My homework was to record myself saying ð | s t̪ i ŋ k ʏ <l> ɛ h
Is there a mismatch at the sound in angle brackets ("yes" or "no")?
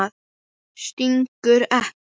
yes